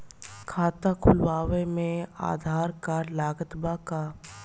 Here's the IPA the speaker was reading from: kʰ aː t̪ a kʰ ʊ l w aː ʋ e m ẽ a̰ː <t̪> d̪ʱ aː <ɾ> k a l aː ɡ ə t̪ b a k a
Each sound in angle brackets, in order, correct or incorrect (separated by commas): incorrect, correct